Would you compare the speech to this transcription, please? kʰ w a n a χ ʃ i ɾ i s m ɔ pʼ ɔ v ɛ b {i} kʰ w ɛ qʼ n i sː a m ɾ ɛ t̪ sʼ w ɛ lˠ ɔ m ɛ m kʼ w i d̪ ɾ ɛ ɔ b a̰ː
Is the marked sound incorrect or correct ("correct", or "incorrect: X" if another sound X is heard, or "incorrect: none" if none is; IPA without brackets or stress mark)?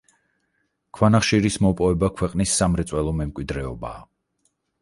incorrect: a